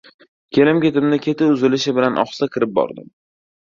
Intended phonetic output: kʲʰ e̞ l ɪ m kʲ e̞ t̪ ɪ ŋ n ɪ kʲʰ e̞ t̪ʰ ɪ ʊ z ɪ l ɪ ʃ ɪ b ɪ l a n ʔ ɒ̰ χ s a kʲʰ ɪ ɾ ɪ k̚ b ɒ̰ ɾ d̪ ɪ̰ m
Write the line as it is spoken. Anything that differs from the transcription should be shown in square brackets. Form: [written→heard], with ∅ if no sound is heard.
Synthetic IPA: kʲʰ e̞ l ɪ m kʲ e̞ t̪ ɪ [ŋ→m] n ɪ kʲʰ e̞ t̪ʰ ɪ ʊ z ɪ l ɪ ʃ ɪ b ɪ l a n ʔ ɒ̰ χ s a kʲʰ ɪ ɾ ɪ [k̚→p̚] b ɒ̰ ɾ d̪ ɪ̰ m